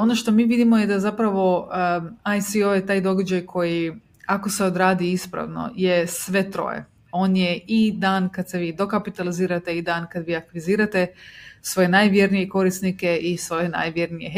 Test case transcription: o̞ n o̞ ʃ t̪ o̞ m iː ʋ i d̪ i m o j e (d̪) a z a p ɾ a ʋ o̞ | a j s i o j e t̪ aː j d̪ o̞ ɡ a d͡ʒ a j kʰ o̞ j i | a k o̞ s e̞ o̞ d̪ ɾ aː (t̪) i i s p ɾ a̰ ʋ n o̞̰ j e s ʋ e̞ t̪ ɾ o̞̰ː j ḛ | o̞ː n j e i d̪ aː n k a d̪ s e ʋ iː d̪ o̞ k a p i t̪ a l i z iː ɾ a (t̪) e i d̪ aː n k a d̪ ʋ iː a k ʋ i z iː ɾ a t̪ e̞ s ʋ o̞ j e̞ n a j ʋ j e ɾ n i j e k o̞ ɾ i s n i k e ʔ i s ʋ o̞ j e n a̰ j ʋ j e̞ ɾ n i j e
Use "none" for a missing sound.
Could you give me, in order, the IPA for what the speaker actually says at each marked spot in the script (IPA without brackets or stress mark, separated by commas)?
d̪, d̪, t̪